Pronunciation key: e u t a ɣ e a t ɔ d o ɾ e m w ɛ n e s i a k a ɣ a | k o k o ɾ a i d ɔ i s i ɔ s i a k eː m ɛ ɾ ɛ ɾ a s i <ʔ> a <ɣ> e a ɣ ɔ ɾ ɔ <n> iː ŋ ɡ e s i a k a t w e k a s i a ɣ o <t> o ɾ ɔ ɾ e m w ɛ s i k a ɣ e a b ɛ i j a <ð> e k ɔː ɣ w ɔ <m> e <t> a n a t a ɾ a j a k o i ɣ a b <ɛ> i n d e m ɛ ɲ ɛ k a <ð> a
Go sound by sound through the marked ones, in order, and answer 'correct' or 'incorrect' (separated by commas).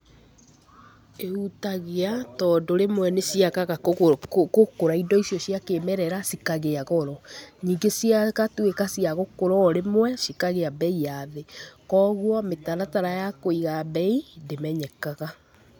incorrect, correct, incorrect, incorrect, correct, correct, correct, correct, incorrect